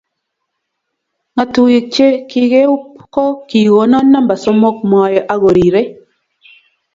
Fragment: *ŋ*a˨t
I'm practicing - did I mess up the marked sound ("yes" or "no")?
no